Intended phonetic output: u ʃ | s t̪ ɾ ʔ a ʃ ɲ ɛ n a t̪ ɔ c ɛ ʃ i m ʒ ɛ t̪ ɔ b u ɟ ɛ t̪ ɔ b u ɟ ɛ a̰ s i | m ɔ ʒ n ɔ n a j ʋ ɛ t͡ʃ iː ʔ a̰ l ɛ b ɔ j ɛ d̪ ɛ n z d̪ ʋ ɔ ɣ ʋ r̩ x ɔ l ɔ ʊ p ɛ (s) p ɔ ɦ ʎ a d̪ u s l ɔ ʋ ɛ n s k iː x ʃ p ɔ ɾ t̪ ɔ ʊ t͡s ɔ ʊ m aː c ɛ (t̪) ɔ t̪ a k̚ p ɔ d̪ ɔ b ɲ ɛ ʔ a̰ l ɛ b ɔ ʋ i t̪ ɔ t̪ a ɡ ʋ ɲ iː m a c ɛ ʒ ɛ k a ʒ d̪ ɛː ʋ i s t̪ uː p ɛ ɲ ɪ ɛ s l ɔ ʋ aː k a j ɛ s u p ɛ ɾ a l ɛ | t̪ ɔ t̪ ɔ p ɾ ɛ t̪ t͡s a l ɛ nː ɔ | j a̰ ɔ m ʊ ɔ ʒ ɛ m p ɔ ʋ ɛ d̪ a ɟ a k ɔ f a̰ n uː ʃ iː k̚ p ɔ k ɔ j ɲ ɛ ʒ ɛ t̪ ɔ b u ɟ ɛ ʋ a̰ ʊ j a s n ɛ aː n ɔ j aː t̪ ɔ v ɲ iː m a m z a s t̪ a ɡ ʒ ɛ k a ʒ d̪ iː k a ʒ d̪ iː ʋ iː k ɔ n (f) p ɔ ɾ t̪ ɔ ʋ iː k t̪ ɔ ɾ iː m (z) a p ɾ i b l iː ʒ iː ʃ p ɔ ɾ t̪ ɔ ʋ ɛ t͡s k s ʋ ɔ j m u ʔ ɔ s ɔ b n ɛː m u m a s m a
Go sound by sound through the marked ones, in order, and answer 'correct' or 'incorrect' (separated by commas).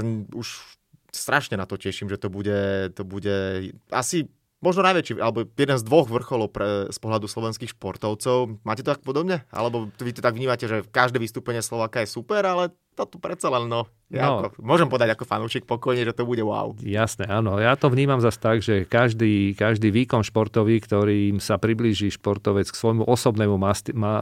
correct, correct, incorrect, incorrect